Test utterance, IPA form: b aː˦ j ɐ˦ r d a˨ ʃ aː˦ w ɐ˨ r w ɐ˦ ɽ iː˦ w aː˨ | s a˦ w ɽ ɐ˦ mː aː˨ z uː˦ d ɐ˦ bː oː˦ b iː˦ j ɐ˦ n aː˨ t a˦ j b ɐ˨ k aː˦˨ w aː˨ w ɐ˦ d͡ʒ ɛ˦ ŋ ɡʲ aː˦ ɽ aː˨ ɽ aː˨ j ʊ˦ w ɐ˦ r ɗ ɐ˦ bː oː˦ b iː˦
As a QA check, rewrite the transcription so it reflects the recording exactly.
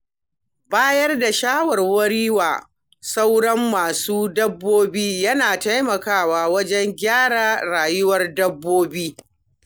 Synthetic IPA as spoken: b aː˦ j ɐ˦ r d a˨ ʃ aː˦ w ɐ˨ r w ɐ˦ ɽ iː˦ w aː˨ | s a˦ w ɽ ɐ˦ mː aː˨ s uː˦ d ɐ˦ bː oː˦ b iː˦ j ɐ˦ n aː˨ t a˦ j m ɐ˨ k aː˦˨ w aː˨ w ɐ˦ d͡ʒ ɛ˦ ŋ ɡʲ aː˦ ɽ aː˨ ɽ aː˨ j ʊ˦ w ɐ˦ r d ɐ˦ bː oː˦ b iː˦